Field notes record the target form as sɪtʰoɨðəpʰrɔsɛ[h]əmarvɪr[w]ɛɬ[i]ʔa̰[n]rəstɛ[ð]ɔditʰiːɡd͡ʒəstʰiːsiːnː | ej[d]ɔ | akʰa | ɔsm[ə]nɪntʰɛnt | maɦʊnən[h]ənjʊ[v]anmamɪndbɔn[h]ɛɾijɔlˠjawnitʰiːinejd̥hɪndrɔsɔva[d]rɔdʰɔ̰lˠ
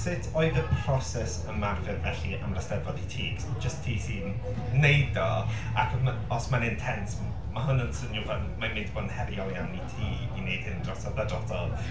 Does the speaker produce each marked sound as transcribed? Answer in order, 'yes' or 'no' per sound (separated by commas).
no, no, yes, no, no, yes, no, no, yes, yes, yes